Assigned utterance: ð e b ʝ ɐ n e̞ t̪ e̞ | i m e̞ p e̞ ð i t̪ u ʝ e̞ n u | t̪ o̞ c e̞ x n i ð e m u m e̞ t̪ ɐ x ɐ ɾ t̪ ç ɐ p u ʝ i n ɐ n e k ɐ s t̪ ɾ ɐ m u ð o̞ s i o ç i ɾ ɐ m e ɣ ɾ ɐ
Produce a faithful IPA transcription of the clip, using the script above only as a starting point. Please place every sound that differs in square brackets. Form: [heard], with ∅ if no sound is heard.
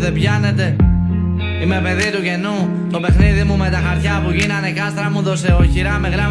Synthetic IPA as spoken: ð e b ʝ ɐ n e̞ t̪ e̞ | i m e̞ p e̞ ð i t̪ u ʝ e̞ n u | t̪ o̞ [p] e̞ x n i ð [i] m u m e̞ t̪ ɐ x ɐ ɾ t̪ ç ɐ p u ʝ i n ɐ n e k ɐ s t̪ ɾ ɐ m u ð o̞ s [e] o ç i ɾ ɐ m e ɣ ɾ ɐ